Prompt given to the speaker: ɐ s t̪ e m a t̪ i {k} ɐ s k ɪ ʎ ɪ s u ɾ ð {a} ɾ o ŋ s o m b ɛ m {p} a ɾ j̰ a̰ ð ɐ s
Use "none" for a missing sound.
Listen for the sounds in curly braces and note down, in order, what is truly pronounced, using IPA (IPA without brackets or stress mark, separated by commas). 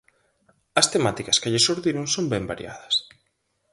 k, i, b